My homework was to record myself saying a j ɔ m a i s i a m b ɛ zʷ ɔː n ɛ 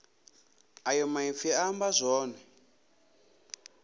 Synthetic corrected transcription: a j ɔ m a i f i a m b a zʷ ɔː n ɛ